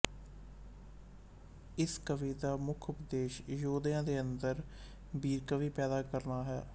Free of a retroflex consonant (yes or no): yes